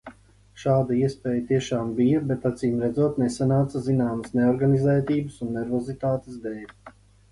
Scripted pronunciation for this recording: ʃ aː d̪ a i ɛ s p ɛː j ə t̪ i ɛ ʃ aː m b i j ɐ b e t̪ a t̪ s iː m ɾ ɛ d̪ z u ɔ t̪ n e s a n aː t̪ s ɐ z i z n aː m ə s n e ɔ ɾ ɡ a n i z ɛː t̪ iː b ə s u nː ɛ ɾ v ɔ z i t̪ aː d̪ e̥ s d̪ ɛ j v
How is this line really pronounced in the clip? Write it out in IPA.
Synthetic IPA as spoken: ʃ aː d̪ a i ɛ s p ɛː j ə t̪ i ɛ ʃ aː m b i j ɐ b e t̪ a t̪ s iː m ɾ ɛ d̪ z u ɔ t̪ n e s a n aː t̪ s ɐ z i n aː m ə s n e ɔ ɾ ɡ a n i z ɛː t̪ iː b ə s u nː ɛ ɾ v ɔ z i t̪ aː t̪ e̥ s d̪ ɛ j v